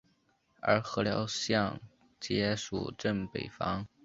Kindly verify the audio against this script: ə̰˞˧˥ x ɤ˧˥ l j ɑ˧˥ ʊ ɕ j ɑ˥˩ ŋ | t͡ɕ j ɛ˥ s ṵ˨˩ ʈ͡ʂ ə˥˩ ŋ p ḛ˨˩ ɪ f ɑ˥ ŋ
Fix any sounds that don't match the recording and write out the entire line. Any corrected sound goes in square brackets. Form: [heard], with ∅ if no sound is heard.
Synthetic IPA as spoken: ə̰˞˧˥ x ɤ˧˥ l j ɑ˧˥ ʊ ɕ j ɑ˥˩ ŋ | t͡ɕ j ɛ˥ [ʂ] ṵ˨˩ ʈ͡ʂ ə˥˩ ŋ p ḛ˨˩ ɪ f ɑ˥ ŋ